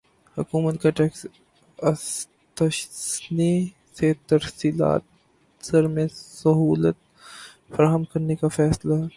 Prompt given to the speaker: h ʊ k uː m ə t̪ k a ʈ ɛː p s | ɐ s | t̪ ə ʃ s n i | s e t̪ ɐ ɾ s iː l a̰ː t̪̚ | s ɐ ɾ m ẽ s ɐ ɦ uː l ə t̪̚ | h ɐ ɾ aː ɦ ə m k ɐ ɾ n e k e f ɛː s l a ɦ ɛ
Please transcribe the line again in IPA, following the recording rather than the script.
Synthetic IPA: h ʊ k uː m ə t̪ k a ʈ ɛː k s | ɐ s | t̪ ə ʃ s n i | s e t̪ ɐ ɾ s iː l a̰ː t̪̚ | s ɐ ɾ m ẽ s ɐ ɦ uː l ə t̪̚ | f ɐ ɾ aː ɦ ə m k ɐ ɾ n e k a f ɛː s l a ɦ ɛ

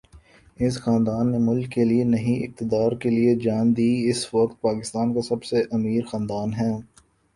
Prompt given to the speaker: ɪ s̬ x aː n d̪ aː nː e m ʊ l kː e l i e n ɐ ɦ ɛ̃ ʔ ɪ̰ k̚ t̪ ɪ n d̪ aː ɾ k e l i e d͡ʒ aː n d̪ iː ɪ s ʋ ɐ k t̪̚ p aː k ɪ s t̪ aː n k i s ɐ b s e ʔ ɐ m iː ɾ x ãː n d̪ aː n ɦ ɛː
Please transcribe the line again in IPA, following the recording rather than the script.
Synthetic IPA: ɪ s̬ x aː n d̪ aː nː e m ʊ l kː e l i e n ɐ ɦ ĩ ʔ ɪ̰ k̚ t̪ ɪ d̪ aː ɾ k e l i e d͡ʒ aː n d̪ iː ɪ s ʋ ɐ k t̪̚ p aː k ɪ s t̪ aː n k a s ɐ b s e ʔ ɐ m iː ɾ x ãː n d̪ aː n ɦ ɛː

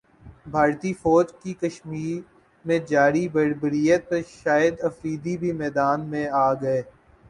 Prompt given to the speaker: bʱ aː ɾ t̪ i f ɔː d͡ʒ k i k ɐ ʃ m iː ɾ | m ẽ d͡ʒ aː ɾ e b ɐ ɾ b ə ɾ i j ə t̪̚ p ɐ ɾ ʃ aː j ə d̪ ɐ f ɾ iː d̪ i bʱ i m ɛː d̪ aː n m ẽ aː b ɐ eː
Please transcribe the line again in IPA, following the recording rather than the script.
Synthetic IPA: bʱ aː ɾ t̪ i f ɔː d͡ʒ k i k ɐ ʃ m iː ɾ | m ẽ d͡ʒ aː ɾ i b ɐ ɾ b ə ɾ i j ə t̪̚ p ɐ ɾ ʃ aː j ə d̪ ɐ f ɾ iː d̪ i bʱ i m ɛː d̪ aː n m ẽ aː ɡ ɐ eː

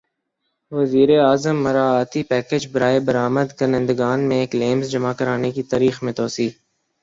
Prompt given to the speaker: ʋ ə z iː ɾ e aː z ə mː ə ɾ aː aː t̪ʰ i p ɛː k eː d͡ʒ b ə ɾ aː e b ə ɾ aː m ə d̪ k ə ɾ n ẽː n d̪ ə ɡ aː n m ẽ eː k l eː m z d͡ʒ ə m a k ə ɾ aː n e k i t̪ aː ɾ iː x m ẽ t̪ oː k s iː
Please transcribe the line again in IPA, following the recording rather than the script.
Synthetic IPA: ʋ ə z iː ɾ e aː z ə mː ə ɾ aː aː t̪ i p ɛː k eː d͡ʒ b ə ɾ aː e b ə ɾ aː m ə d̪ k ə ɾ n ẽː n d̪ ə ɡ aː n m ẽ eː k l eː m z d͡ʒ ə m a k ə ɾ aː n e k i t̪ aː ɾ iː x m ẽ t̪ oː s iː

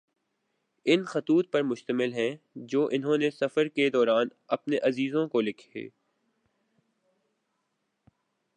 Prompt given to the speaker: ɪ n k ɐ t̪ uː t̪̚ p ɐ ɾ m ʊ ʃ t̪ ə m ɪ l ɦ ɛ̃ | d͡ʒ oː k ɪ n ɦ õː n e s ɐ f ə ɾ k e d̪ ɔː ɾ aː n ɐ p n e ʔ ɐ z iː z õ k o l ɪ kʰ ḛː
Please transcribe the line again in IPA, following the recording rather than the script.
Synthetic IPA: ɪ n x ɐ t̪ uː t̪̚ p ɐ ɾ m ʊ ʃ t̪ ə m ɪ l ɦ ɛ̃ | d͡ʒ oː ʔ ɪ n ɦ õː n e s ɐ f ə ɾ k e d̪ ɔː ɾ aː n ɐ p n e ʔ ɐ z iː z õ k o l ɪ kʰ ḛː

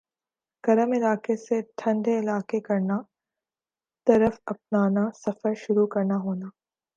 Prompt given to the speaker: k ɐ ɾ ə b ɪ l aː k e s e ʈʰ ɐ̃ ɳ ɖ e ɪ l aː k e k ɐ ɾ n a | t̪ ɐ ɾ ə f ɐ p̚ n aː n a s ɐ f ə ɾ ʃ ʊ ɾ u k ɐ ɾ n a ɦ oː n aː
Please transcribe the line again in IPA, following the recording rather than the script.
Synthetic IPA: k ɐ ɾ ə m ɪ l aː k e s e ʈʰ ɐ̃ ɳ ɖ e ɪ l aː k e k ɐ ɾ n a | t̪ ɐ ɾ ə f ɐ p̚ n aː n a s ɐ f ə ɾ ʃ ʊ ɾ u k ɐ ɾ n a ɦ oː n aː

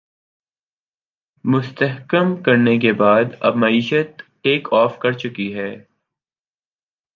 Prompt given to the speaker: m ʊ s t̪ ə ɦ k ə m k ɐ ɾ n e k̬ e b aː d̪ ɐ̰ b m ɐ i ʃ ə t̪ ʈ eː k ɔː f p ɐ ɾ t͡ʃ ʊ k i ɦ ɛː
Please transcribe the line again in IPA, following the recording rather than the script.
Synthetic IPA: m ʊ s t̪ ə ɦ k ə m k ɐ ɾ n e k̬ e b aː d̪ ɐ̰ b m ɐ iː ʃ ə t̪ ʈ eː k ɔː f k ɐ ɾ t͡ʃ ʊ k i ɦ ɛː

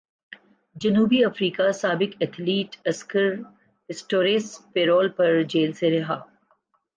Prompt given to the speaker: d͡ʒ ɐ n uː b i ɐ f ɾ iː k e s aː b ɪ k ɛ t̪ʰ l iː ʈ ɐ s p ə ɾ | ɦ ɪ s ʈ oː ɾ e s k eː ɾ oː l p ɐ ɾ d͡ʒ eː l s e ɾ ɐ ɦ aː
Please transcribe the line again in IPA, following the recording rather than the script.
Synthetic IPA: d͡ʒ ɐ n uː b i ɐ f ɾ iː k a s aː b ɪ k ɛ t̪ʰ l iː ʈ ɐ s k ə ɾ | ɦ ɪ s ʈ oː ɾ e s p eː ɾ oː l p ɐ ɾ d͡ʒ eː l s e ɾ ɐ ɦ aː

